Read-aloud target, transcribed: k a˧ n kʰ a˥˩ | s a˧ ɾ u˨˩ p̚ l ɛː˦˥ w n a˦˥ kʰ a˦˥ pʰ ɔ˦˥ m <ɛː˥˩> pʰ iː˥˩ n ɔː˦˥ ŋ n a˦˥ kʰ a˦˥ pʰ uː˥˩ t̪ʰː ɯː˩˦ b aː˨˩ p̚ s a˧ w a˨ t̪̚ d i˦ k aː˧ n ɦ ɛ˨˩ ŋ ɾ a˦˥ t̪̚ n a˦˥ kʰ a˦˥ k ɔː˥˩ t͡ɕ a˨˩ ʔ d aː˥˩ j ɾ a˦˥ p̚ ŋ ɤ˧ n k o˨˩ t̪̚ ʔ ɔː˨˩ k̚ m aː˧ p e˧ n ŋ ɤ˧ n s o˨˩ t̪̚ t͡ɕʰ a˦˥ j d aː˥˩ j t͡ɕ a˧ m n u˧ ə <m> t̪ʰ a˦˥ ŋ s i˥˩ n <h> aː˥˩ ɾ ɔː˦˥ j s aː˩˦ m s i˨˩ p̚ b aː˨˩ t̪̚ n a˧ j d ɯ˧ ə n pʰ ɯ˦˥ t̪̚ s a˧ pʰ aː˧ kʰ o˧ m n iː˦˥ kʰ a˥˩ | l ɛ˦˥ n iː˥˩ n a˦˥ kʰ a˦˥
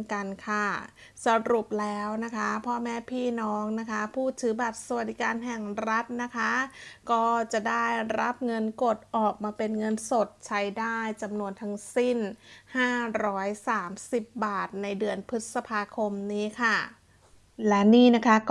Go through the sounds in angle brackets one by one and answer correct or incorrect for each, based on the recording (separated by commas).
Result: incorrect, incorrect, correct